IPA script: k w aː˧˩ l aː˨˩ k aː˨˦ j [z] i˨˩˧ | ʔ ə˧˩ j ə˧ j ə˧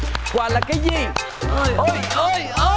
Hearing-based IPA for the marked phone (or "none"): z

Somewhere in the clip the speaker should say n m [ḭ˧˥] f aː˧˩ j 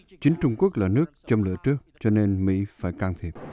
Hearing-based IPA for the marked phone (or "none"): ḭ˧˥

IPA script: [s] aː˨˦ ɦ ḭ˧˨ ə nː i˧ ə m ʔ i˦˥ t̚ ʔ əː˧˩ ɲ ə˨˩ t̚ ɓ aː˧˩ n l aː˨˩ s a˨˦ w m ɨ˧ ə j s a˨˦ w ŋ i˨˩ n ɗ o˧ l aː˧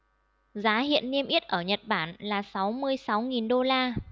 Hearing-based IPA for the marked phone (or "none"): z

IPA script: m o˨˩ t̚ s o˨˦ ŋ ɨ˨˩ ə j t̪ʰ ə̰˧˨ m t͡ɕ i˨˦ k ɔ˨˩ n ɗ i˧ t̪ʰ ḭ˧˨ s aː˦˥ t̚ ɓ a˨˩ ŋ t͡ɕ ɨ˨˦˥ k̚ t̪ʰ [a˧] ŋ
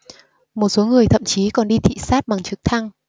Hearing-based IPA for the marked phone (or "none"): a˧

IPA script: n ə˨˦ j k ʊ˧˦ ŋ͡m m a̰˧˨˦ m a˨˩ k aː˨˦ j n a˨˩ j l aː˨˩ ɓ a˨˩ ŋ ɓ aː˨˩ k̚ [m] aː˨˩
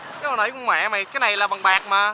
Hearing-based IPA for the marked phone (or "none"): m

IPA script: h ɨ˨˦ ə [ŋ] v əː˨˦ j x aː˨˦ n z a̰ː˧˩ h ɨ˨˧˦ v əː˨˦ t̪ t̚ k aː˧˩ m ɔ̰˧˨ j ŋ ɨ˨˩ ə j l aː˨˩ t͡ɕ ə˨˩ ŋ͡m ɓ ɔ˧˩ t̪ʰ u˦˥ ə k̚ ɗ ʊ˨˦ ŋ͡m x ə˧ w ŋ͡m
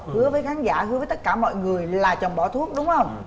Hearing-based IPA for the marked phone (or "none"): none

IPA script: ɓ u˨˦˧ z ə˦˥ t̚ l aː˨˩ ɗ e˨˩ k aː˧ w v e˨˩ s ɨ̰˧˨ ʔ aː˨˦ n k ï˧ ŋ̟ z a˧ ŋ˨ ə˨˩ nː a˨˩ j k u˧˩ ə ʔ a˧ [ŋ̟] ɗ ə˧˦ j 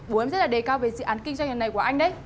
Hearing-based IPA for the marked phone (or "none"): ŋ̟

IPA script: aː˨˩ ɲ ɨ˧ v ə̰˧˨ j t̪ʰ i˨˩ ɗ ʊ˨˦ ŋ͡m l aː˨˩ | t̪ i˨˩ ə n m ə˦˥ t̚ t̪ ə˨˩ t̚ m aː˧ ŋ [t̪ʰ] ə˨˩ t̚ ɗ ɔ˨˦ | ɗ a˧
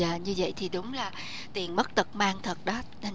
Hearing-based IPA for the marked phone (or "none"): t̪ʰ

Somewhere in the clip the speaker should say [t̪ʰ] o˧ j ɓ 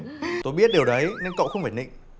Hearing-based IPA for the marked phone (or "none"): t̪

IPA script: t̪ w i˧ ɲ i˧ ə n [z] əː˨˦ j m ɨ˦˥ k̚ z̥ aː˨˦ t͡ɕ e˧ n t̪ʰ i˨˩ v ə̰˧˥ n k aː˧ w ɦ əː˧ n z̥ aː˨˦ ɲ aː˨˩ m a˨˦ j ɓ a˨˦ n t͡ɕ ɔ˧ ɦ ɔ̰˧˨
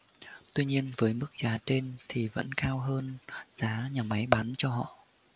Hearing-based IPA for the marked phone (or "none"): v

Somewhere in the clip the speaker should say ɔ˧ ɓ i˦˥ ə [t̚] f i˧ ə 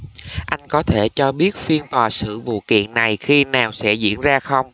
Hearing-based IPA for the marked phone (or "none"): t̚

